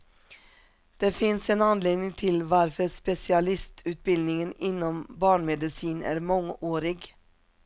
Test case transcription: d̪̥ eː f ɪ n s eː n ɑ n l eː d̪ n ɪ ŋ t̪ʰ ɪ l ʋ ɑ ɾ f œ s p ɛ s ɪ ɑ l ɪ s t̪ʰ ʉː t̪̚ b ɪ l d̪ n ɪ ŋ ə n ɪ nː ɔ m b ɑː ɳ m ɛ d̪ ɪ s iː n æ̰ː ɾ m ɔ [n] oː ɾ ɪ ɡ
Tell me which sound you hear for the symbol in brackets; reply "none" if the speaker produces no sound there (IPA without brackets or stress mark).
ŋ